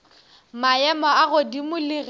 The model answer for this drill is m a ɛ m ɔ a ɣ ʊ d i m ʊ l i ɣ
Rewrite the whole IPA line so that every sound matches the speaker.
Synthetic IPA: m a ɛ m ɔ a ɣ ʊ d i m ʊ l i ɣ

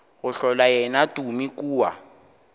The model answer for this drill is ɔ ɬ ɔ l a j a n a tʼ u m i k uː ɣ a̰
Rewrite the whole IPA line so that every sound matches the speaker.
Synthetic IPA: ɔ ɬ ɔ l a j ɛ n a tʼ u m i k uː w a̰

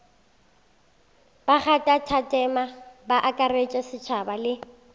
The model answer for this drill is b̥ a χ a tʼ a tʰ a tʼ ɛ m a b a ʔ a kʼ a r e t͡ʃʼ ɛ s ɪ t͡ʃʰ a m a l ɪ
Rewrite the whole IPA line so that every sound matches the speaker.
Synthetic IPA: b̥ a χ a tʼ a tʰ a tʼ ɛ m a b a ʔ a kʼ a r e t͡ʃʼ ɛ s ɪ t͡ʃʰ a b a l ɪ

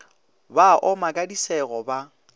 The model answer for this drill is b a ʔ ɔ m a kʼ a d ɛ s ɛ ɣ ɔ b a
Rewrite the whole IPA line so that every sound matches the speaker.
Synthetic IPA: b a ʔ ɔ m a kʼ a d i s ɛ ɣ ɔ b a

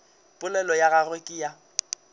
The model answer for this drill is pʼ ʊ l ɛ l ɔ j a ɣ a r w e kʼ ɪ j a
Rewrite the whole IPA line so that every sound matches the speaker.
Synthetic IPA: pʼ ʊ l ɛ l ɔ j a ɣ a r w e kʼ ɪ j a

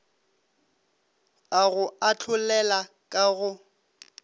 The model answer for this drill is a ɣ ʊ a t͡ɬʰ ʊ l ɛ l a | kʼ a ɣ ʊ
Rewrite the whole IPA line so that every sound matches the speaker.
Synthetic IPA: a ɣ ʊ a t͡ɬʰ ʊ l ɛ l a | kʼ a ɣ ʊ

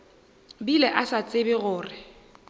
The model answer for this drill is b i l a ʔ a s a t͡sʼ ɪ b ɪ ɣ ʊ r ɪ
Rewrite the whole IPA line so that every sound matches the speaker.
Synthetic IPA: b i l ɛ ʔ a s a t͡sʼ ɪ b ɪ ɣ ʊː r ɪ

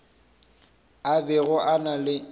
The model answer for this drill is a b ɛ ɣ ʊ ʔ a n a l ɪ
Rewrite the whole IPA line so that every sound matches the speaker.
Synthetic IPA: a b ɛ ɣ ʊ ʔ a n a l ɪ

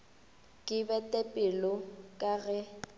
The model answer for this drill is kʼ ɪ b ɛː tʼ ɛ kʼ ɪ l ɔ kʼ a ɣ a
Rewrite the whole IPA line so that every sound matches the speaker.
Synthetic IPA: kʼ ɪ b ɛ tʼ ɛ pʼ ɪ l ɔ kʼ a ɣ ɛ

